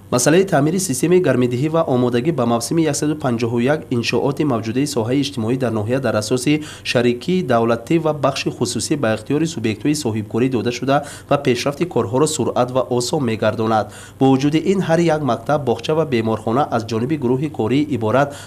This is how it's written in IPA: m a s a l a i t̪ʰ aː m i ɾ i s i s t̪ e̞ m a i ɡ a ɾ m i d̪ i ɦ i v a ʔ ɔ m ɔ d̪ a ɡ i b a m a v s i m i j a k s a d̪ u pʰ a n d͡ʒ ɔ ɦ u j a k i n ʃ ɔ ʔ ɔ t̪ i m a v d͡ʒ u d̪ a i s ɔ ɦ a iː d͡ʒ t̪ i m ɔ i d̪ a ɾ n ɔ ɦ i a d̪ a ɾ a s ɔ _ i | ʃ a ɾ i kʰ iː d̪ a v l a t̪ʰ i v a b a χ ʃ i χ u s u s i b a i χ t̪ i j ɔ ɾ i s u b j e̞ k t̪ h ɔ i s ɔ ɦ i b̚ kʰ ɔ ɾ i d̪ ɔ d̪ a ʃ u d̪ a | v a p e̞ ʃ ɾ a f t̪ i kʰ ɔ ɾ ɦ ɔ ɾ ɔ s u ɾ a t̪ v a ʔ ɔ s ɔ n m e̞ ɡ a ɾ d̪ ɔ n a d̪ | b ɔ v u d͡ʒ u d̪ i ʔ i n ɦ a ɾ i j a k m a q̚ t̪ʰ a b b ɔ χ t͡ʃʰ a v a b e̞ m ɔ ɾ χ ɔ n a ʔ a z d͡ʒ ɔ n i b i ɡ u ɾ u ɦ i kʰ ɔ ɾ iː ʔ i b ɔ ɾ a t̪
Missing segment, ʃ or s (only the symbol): s